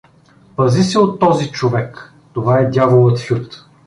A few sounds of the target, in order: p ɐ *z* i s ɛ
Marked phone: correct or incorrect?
correct